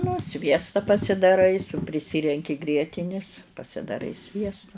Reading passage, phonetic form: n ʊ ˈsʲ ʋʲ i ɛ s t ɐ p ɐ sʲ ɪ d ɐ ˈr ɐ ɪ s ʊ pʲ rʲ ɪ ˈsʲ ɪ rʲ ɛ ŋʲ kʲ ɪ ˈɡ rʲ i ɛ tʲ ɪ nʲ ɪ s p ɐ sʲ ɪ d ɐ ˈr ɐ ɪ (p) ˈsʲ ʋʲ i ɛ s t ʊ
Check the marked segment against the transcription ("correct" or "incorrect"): incorrect